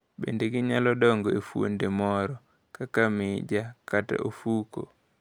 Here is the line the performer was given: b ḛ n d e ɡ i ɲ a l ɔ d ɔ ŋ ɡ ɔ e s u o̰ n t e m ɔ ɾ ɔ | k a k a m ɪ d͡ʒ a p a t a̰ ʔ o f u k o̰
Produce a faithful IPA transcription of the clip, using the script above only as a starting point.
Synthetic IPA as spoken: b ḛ n d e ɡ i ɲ a l ɔ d ɔ ŋ ɡ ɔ e f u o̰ n d e m ɔ ɾ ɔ | k a k a m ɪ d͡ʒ a k a t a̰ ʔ o f u k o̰